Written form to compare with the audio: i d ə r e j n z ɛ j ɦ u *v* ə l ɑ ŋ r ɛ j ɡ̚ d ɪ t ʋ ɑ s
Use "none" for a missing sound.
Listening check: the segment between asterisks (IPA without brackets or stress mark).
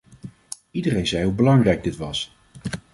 b